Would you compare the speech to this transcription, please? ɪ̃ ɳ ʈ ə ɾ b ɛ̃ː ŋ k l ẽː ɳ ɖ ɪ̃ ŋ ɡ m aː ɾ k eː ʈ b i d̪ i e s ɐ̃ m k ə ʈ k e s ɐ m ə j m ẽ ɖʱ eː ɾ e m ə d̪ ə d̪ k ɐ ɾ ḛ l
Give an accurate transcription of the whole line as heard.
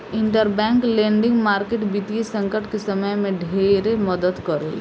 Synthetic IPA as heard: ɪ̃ ɳ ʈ ə ɾ b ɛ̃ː ŋ k l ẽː ɳ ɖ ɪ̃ ŋ ɡ m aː ɾ k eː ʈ b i t̪ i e s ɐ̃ ŋ k ə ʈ k e s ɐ m ə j m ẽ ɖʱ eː ɾ e m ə d̪ ə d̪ k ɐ ɾ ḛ l